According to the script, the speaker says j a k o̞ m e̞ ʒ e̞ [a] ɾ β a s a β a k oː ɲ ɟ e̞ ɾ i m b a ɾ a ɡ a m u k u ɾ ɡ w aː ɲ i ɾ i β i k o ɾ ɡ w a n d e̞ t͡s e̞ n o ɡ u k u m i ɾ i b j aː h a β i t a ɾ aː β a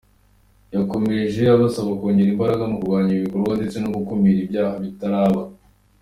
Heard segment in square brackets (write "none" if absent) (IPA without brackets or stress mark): a